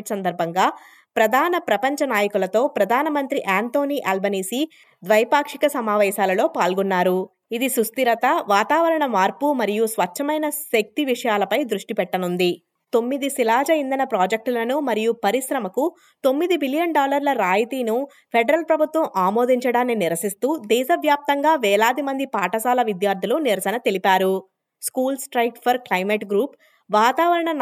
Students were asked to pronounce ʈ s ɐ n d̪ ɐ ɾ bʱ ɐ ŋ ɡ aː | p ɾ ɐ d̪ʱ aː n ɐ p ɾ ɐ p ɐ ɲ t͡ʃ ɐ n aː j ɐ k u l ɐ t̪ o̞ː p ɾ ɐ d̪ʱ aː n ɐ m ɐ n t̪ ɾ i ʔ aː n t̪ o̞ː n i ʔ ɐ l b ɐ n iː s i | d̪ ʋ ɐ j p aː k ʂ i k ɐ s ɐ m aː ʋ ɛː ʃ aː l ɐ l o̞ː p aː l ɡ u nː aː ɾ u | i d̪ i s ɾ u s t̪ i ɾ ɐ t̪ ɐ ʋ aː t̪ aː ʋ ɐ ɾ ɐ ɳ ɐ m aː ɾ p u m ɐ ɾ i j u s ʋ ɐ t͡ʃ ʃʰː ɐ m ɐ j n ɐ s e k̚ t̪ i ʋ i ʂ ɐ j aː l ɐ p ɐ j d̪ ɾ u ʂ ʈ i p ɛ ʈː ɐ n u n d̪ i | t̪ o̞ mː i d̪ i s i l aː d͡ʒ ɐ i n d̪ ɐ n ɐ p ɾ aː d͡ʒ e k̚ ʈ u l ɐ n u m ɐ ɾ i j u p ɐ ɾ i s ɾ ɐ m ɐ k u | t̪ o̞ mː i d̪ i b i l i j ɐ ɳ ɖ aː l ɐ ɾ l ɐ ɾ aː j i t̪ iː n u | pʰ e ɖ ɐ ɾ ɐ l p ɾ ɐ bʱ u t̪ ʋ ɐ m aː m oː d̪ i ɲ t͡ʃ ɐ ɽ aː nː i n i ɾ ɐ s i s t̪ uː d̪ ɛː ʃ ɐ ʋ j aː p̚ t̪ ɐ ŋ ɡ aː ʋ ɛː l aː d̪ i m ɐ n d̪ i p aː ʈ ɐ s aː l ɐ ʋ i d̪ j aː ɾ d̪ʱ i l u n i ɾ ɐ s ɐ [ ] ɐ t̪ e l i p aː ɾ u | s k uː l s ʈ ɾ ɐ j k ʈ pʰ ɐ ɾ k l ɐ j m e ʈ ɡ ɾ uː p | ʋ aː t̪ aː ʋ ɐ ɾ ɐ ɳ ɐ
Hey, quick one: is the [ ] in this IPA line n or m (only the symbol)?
n